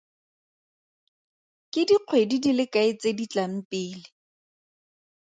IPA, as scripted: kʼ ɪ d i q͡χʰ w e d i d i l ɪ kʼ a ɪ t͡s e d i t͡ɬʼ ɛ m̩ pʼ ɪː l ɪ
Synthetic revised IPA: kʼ ɪ d i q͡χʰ w e d i d i l ɪ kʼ a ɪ t͡s e d i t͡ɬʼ a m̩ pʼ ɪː l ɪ